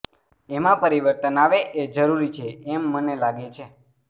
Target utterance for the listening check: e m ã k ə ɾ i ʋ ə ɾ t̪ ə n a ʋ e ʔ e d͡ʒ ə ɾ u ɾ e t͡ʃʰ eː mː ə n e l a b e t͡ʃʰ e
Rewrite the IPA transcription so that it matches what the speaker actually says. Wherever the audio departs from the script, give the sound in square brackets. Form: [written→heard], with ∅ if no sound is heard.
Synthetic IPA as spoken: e m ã [k→p] ə ɾ i ʋ ə ɾ t̪ ə n a ʋ e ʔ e d͡ʒ ə ɾ u ɾ [e→i] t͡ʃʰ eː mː ə n e l a [b→ɡ] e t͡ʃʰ e